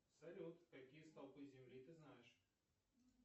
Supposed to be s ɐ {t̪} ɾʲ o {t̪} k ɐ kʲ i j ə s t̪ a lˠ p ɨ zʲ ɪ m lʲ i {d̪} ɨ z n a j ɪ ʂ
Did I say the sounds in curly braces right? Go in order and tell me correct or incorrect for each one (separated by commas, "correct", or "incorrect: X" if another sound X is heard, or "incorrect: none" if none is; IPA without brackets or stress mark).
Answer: incorrect: none, correct, incorrect: t̪